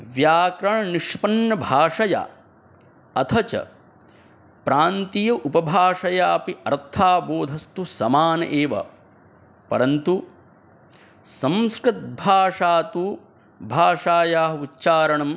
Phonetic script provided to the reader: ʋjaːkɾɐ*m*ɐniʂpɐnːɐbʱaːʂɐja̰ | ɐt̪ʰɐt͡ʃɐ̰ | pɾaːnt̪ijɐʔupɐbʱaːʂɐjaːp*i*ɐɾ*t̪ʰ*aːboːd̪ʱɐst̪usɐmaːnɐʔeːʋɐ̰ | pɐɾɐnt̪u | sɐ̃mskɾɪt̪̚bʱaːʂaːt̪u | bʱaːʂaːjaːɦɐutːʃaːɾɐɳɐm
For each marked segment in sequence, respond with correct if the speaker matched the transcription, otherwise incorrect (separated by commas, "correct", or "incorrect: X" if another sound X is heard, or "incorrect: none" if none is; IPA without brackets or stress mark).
incorrect: ɳ, correct, correct